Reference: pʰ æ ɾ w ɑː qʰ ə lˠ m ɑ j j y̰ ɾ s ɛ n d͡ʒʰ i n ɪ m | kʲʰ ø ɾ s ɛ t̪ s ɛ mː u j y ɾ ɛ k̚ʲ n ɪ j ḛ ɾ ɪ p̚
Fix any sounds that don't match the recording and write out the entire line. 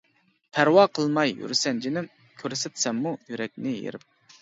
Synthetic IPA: pʰ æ ɾ w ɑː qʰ ə lˠ m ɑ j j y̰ ɾ s ɛ n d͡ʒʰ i n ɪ m | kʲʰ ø ɾ s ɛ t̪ s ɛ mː u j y ɾ ɛ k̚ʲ n ɪ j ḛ ɾ ɪ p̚